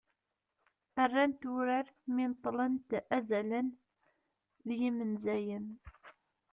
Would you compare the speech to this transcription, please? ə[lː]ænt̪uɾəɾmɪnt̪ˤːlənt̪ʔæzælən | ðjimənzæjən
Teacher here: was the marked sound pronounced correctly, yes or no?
no